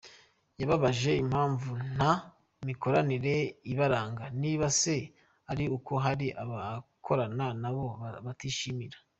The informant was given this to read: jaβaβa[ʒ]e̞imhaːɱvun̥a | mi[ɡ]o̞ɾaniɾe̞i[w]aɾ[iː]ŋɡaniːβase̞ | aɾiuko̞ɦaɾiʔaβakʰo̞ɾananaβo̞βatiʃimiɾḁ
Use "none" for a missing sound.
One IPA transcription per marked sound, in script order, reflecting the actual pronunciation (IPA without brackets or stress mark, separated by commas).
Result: ʒ, k, β, aː